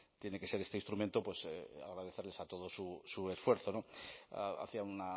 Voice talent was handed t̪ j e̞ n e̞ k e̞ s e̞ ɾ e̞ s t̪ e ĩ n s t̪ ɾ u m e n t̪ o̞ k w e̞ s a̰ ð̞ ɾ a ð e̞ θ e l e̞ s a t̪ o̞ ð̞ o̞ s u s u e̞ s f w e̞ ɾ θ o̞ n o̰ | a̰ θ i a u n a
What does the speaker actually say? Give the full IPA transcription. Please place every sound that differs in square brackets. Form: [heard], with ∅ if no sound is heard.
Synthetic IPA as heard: t̪ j e̞ n e̞ k e̞ s e̞ ɾ e̞ s t̪ e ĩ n s t̪ ɾ u m e n t̪ o̞ [p] w e̞ s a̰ [ɣ̞] ɾ a ð e̞ θ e l e̞ s a t̪ o̞ ð̞ o̞ s u s u e̞ s f w e̞ ɾ θ o̞ n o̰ | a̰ θ i a u n a